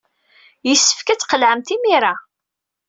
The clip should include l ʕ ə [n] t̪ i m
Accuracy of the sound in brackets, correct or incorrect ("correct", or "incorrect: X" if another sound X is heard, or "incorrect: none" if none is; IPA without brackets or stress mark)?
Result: incorrect: m